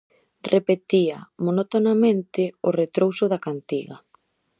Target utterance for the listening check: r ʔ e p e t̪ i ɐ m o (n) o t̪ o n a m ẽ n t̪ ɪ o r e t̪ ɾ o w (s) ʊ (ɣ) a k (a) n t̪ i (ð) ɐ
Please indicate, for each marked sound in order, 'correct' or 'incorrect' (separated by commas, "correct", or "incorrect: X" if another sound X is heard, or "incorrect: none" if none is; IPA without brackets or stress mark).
correct, correct, incorrect: ð, correct, incorrect: ɣ